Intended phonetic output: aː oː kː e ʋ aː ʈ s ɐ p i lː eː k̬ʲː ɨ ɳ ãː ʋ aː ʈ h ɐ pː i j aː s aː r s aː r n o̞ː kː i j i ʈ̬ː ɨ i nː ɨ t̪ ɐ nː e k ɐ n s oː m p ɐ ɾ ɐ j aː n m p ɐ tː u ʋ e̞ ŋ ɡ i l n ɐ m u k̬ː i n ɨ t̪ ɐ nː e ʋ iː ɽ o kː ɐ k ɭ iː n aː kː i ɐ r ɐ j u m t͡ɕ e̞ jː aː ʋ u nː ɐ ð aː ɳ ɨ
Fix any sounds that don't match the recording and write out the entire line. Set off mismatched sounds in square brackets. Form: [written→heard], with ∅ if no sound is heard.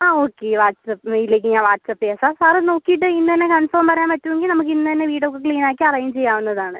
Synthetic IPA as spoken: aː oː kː e ʋ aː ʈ s ɐ p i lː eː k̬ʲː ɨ [ɳ→ɲ] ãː ʋ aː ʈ [h→s] ɐ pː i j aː s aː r s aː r n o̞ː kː i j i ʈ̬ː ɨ i nː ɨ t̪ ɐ nː e k ɐ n [s→f] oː m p ɐ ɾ ɐ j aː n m p ɐ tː u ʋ e̞ ŋ ɡ i l n ɐ m u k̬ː i [n→nː] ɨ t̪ ɐ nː e ʋ iː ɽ o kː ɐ k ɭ iː n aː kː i ɐ r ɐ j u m t͡ɕ e̞ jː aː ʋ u nː ɐ ð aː ɳ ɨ